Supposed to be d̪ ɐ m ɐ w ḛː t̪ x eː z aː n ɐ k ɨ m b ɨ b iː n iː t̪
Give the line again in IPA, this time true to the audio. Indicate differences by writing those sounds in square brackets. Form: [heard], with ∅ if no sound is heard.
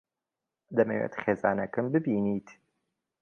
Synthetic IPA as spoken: d̪ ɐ m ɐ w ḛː t̪ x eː z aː n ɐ k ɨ m b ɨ b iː n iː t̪